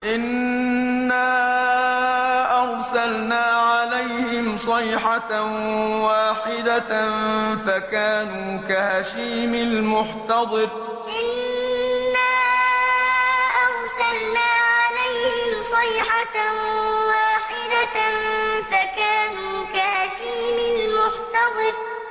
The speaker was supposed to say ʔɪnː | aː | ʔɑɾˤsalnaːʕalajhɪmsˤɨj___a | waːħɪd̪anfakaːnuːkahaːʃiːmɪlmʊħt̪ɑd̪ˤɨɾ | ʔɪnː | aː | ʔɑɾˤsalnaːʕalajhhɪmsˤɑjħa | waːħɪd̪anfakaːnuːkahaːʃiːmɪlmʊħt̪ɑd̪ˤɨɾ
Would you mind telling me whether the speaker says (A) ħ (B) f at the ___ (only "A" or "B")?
A